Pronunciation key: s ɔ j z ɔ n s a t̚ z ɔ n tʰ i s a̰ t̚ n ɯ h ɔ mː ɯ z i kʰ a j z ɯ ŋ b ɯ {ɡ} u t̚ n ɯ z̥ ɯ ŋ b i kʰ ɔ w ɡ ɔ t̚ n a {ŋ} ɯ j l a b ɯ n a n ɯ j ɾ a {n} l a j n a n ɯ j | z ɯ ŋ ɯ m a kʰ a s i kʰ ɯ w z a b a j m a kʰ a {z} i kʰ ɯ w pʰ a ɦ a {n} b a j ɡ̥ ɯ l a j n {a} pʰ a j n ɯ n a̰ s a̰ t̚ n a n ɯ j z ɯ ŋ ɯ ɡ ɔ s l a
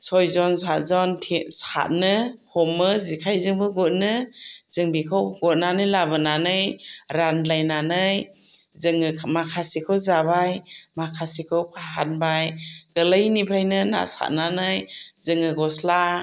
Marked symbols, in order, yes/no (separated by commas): yes, no, yes, no, yes, no